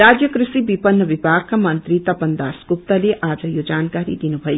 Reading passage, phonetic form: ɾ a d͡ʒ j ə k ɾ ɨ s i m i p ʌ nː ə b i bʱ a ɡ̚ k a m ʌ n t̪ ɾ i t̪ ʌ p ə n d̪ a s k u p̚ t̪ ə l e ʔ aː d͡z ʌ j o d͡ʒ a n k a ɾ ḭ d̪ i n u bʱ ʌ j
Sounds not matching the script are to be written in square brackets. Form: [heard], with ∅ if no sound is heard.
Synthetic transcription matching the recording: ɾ a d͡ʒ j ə k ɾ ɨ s i [b] i p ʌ nː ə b i bʱ a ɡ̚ k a m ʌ n t̪ ɾ i t̪ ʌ p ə n d̪ a s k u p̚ t̪ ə l e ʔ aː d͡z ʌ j o d͡ʒ a n k a ɾ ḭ d̪ i n u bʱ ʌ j